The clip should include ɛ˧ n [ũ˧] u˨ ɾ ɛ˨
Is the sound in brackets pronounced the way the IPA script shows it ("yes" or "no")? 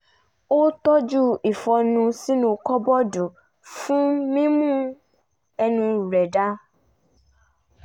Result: yes